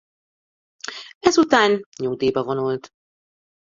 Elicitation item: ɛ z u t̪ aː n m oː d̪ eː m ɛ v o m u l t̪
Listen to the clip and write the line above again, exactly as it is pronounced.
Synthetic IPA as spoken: ɛ z u t̪ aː n ɲ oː d̪ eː b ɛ v o n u l t̪